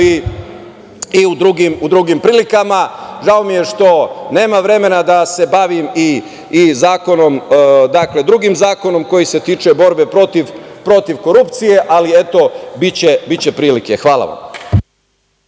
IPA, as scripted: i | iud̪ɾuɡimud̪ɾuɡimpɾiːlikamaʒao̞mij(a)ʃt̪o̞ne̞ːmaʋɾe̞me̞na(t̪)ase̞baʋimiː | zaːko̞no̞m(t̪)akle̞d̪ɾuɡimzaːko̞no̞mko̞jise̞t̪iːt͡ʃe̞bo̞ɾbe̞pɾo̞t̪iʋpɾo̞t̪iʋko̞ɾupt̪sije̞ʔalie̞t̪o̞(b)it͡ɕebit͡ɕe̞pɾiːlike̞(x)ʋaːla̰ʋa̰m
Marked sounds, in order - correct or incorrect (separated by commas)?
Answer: incorrect, incorrect, incorrect, correct, correct